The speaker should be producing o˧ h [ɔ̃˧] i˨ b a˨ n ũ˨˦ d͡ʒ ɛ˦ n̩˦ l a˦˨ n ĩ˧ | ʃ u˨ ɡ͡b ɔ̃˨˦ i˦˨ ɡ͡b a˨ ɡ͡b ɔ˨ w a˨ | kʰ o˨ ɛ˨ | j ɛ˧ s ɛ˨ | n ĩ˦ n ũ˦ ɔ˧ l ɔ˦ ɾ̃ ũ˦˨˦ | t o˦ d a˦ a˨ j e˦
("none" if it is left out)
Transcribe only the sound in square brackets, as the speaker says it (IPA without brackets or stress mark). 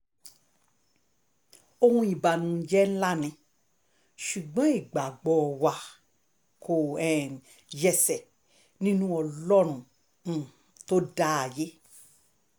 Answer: ũ˧